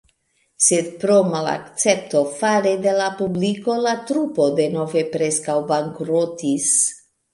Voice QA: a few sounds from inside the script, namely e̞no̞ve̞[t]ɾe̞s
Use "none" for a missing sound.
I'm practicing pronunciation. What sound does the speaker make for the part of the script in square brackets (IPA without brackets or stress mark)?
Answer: p